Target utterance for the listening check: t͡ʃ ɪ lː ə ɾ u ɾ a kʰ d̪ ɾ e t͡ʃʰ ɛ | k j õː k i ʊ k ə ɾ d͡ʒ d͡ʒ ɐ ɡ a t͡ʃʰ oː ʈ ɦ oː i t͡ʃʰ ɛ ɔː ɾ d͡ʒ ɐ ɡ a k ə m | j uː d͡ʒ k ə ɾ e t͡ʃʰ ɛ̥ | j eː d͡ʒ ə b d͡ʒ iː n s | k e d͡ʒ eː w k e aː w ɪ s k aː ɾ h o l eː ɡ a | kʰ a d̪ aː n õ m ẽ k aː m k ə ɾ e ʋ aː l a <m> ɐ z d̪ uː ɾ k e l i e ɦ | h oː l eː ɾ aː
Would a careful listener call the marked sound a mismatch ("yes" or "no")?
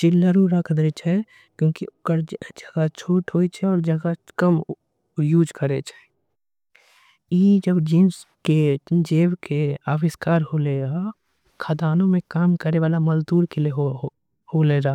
no